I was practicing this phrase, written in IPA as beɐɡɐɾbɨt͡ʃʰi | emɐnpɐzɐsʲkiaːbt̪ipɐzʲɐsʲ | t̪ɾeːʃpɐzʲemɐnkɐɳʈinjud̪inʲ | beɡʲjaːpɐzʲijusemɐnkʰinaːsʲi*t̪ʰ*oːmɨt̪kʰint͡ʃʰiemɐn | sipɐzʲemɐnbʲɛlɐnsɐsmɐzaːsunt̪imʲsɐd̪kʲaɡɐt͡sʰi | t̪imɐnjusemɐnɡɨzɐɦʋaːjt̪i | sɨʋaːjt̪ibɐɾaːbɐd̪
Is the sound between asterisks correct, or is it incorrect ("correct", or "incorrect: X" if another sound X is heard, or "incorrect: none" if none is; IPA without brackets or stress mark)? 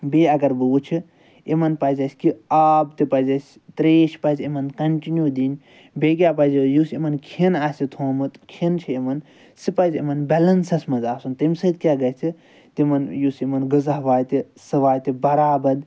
correct